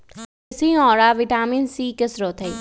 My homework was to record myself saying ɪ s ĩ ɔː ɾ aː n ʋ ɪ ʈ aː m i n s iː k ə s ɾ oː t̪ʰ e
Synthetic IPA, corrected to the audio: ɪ s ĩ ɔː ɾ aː ʋ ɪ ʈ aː m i n s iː k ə s ɾ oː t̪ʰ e